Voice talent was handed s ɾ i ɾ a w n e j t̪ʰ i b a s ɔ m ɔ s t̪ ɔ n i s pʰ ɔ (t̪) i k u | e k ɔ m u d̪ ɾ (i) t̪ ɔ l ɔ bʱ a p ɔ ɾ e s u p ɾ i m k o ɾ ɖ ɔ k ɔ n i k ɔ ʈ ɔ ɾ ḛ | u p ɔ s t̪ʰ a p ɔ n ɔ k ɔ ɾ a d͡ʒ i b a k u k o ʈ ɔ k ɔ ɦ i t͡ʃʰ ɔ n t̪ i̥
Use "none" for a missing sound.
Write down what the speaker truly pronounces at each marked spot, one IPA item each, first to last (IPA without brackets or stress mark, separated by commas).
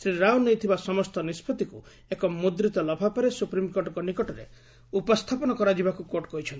t̪, i